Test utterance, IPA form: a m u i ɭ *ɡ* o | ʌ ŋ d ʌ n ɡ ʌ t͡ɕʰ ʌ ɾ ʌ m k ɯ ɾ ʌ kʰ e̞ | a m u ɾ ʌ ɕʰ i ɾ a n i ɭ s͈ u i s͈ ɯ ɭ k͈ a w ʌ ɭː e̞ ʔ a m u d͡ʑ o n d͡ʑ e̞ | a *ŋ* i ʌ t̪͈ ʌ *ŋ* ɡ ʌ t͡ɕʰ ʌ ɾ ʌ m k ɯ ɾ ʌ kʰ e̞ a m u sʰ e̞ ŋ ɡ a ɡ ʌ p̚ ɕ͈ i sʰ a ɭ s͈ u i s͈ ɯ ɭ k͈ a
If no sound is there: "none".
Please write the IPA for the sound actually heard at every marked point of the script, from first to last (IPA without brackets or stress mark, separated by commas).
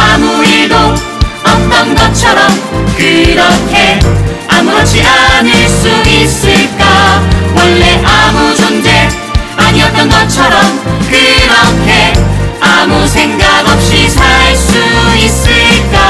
d, ɲ, n